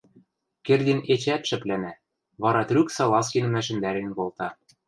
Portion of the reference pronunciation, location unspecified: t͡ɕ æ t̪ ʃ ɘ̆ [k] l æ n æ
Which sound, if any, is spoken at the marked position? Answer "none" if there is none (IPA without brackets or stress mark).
p